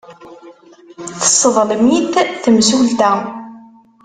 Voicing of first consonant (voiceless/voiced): voiceless